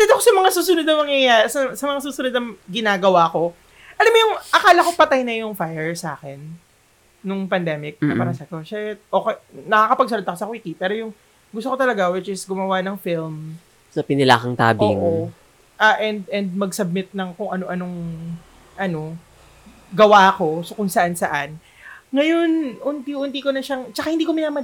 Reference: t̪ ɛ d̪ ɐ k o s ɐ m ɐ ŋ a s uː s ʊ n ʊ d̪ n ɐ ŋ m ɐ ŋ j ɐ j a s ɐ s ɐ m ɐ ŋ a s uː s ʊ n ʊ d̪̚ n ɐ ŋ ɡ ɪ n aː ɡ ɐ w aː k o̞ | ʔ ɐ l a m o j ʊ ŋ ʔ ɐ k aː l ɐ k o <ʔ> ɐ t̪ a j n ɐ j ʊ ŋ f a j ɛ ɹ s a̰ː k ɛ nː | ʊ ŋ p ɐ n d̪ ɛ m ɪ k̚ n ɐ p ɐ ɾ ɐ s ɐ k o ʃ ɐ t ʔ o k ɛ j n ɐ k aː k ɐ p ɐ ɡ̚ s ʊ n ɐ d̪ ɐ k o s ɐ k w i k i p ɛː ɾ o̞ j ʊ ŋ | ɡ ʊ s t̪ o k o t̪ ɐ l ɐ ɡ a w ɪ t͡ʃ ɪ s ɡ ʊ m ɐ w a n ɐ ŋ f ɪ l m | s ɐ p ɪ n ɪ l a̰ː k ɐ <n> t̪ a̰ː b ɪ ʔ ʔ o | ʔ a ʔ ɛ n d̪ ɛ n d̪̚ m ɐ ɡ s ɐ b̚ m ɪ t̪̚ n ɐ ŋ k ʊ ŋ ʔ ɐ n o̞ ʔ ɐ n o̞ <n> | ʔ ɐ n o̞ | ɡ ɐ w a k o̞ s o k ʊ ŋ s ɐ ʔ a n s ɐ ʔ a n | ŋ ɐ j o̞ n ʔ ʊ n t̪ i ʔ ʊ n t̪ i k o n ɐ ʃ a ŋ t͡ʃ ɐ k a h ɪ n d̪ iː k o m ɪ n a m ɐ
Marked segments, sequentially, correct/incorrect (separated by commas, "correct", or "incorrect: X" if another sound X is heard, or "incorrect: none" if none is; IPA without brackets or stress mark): incorrect: p, incorrect: ŋ, incorrect: ŋ